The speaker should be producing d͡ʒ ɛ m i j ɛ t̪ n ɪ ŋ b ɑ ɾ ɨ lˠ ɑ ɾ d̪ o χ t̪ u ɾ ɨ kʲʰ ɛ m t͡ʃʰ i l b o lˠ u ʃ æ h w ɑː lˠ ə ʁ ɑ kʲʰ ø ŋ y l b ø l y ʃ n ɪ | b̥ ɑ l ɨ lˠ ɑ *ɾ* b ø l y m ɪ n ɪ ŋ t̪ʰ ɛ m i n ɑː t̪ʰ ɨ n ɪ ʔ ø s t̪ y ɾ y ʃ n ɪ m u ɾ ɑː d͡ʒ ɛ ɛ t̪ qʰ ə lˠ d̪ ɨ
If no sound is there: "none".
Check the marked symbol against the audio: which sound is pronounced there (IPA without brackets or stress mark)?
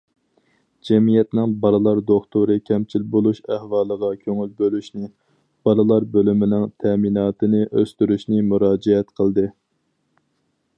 ɾ